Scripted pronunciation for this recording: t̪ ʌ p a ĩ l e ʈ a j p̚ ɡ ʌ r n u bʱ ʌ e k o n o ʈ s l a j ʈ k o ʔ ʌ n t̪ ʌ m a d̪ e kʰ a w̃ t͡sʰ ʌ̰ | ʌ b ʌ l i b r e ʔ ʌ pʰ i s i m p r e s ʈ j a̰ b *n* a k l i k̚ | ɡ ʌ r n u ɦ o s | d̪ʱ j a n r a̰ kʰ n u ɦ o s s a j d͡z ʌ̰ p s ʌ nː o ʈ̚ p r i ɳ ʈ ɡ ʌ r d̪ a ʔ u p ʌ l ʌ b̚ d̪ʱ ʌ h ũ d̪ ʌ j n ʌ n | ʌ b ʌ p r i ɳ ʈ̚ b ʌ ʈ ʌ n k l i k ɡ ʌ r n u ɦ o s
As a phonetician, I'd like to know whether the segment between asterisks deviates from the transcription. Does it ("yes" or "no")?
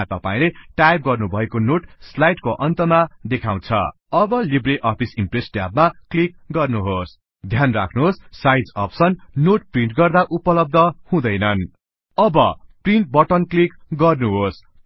yes